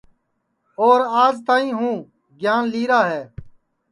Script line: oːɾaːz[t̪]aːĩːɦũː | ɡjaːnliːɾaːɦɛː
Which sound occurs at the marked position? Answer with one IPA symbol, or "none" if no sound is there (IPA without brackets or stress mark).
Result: t̪